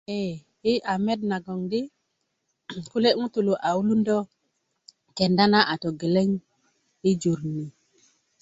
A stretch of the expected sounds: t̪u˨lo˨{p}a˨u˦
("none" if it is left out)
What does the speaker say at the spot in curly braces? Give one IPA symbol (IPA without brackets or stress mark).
ʔ